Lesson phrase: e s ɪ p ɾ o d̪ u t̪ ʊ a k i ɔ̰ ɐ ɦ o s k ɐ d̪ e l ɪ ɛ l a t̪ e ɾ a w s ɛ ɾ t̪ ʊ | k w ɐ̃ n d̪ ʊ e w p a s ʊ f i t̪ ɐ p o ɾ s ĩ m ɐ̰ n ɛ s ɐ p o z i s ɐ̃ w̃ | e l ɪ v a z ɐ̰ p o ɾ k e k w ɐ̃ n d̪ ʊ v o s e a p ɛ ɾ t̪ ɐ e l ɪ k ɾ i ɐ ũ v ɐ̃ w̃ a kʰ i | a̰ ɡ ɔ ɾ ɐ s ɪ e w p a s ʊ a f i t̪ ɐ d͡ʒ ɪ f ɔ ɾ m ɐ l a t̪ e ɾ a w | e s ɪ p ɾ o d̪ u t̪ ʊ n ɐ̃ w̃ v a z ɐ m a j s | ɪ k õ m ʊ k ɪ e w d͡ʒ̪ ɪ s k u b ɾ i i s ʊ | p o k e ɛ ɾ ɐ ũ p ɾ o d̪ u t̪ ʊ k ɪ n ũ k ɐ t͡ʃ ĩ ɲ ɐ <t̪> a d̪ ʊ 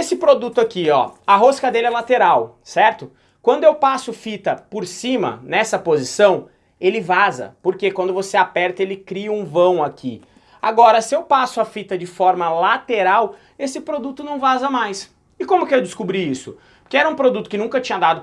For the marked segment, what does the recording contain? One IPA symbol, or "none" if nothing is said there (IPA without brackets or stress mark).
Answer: d̪